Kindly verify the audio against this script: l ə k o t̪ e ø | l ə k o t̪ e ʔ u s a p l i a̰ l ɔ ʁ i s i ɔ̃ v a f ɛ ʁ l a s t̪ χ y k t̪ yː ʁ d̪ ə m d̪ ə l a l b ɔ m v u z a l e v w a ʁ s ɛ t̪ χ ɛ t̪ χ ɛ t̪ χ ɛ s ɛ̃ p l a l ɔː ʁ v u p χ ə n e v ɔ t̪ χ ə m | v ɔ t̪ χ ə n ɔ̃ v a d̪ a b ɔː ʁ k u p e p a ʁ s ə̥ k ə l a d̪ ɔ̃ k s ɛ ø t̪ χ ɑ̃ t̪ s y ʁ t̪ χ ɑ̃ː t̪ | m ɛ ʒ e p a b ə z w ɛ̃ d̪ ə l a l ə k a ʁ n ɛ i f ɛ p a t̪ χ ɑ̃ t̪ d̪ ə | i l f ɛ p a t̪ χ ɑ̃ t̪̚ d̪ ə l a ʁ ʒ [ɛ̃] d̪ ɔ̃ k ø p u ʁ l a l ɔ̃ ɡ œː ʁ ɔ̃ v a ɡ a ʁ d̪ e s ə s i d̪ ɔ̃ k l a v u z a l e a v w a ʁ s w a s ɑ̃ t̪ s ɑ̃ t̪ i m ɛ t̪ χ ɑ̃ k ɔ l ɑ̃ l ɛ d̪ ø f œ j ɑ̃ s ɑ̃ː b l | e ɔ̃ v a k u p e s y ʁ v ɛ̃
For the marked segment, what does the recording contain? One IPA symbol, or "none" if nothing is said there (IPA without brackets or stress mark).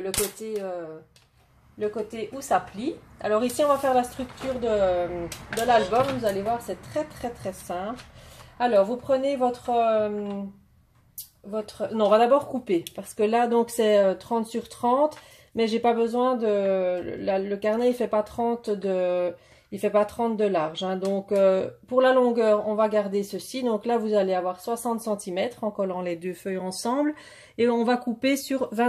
ɛ̃